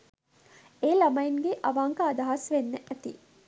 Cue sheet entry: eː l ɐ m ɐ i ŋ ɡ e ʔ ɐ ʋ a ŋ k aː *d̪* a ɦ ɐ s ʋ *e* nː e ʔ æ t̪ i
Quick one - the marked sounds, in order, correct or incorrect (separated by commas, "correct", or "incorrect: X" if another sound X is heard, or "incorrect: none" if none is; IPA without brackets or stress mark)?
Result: correct, correct